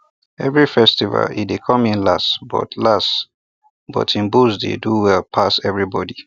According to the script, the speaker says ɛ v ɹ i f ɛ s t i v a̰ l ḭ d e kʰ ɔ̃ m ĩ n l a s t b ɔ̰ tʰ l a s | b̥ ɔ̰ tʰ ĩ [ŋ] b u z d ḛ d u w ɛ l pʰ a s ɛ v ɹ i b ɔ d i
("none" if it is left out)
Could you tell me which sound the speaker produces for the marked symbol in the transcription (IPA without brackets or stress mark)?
n